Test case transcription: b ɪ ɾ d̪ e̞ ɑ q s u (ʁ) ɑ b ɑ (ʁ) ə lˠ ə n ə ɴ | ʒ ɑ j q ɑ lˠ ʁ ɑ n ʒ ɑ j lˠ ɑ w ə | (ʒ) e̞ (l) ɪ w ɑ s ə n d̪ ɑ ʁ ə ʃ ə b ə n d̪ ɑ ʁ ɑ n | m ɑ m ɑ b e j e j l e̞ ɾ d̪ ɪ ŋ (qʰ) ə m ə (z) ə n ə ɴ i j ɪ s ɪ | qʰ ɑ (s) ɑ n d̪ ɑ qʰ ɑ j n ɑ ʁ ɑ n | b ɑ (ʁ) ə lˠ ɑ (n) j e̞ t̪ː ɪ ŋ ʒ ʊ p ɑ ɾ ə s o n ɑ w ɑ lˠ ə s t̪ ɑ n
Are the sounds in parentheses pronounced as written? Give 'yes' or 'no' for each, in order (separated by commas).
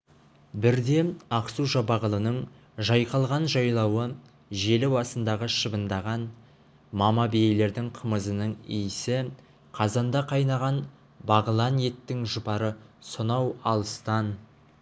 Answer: no, yes, yes, yes, yes, yes, no, yes, yes